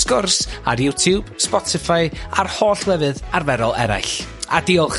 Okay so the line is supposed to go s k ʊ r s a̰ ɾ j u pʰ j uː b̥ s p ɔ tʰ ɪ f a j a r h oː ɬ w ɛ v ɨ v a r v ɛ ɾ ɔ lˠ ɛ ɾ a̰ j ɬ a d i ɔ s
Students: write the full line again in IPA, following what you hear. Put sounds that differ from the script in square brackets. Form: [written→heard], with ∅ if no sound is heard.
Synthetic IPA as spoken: s k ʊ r s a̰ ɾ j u [pʰ→tʰ] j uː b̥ s p ɔ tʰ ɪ f a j a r h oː ɬ w ɛ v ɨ [v→ð] a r v ɛ ɾ ɔ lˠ ɛ ɾ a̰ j ɬ a d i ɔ [s→χ]

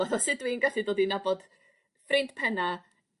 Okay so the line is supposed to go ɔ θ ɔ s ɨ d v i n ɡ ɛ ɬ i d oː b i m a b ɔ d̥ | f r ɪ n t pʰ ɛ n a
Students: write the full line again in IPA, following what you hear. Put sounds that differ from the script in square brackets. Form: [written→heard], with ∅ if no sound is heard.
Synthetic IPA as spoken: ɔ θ ɔ s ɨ d [v→w] i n ɡ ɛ ɬ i d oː [b→d] i [m→n] a b ɔ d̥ | f r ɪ n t pʰ ɛ n a

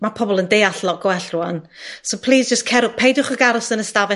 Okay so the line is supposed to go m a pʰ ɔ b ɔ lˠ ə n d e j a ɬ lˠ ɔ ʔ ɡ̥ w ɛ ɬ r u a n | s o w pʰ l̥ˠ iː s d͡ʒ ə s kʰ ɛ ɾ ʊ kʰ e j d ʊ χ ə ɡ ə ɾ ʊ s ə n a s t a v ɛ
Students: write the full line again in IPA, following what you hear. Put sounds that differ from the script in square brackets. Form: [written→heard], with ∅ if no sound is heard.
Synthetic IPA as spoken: m a pʰ ɔ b ɔ lˠ ə n d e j a ɬ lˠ ɔ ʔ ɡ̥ w ɛ ɬ r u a n | s o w pʰ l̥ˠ iː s d͡ʒ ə s kʰ ɛ ɾ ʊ [kʰ→pʰ] e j d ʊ χ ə ɡ [ə→a] ɾ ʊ s ə n [a→ə] s t a v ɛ

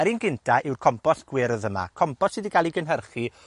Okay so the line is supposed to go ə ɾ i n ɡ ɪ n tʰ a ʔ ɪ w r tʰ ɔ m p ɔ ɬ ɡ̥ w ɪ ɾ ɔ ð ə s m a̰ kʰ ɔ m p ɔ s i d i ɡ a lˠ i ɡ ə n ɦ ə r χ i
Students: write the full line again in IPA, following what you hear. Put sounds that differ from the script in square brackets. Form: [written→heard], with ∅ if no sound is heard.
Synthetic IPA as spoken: ə ɾ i n ɡ ɪ n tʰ a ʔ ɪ w r [tʰ→kʰ] ɔ m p ɔ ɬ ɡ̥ w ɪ ɾ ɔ ð ə [s→∅] m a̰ kʰ ɔ m p ɔ s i d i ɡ a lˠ i ɡ ə n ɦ ə r χ i

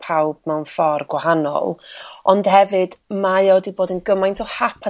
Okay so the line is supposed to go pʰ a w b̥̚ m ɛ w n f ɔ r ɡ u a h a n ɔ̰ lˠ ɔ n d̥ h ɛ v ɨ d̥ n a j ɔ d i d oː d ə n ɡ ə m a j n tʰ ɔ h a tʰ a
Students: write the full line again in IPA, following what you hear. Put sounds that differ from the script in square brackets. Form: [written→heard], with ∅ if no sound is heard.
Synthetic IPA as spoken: pʰ a w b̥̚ m ɛ w n f ɔ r ɡ [u→w] a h a n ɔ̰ lˠ ɔ n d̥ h ɛ v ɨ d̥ [n→m] a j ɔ d i [d→b] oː d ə n ɡ ə m a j n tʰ ɔ h a [tʰ→pʰ] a

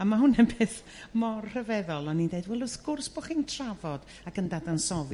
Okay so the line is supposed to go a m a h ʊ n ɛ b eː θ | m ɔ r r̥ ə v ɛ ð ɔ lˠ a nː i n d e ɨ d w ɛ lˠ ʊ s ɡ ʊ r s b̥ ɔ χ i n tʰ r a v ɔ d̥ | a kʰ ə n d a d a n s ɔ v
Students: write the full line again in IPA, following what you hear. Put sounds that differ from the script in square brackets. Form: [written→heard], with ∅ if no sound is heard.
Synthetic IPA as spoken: a m a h ʊ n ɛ b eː θ | m ɔ r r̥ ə v ɛ ð ɔ lˠ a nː i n d e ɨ d w ɛ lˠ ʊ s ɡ ʊ r s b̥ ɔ χ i n tʰ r a v ɔ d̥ | a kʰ ə n d a d a n s ɔ v

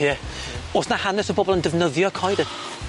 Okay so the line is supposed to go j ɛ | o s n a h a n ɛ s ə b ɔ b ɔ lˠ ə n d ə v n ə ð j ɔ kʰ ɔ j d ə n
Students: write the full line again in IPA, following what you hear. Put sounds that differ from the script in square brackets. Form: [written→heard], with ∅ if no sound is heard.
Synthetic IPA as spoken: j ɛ | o s n a h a n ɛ s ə b ɔ b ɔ lˠ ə n d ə v n ə ð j ɔ kʰ ɔ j d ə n

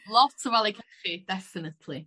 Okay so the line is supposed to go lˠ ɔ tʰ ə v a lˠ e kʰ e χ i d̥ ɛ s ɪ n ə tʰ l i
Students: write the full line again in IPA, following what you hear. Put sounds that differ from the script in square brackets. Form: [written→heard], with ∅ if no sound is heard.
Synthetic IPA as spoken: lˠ ɔ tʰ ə v a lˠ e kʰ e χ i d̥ ɛ [s→f] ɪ n ə tʰ l i

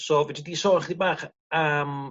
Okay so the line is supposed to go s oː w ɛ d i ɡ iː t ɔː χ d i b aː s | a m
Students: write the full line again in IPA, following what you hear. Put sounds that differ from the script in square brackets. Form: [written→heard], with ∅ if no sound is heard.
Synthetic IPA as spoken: s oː [w→v] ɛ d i [ɡ→d] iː [t→s] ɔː χ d i b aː [s→χ] | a m

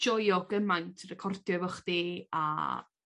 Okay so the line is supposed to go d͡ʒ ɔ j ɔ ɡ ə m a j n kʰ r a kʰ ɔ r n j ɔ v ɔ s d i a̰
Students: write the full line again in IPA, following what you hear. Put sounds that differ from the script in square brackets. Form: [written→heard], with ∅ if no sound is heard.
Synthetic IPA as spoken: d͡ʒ ɔ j ɔ ɡ ə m a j n [kʰ→tʰ] r [a→ɛ] kʰ ɔ r [n→d] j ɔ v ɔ [s→χ] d i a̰

